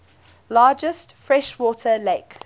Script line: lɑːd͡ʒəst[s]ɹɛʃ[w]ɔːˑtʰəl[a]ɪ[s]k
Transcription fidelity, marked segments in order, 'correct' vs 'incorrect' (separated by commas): incorrect, correct, incorrect, incorrect